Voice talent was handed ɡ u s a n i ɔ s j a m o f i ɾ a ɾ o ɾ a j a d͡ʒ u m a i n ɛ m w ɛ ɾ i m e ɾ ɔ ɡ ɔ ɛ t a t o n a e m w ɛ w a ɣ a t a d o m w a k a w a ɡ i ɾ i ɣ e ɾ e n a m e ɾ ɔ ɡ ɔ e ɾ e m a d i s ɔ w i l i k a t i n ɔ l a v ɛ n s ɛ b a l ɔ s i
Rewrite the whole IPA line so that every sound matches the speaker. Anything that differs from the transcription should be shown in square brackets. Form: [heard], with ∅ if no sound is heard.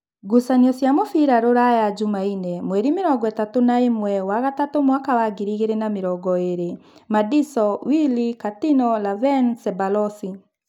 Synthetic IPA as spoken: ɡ u s a n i ɔ s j a m o f i ɾ a ɾ o ɾ a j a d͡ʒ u m a i n ɛ m w ɛ ɾ i m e ɾ ɔ ɡ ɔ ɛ t a t o n a e m w ɛ w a ɣ a t a [t] o m w a k a w a ɡ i ɾ i ɣ e ɾ e n a m e ɾ ɔ ɡ ɔ e ɾ e m a d i s ɔ w i l i k a t i n ɔ l a v ɛ n s ɛ b a l ɔ s i